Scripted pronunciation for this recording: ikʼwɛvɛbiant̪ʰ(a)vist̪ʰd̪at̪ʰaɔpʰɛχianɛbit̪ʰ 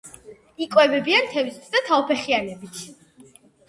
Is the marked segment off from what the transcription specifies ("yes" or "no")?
yes